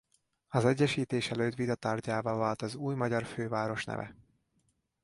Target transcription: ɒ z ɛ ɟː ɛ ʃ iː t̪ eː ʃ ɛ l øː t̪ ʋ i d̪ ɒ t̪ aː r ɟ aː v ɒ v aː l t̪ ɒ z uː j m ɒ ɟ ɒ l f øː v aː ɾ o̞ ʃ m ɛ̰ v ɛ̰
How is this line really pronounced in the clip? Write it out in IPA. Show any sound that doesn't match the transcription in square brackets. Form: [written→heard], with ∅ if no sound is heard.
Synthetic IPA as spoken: ɒ z ɛ ɟː ɛ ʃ iː t̪ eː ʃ ɛ l øː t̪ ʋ i d̪ ɒ t̪ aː r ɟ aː v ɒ v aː l t̪ ɒ z uː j m ɒ ɟ ɒ [l→r] f øː v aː ɾ o̞ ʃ [m→n] ɛ̰ v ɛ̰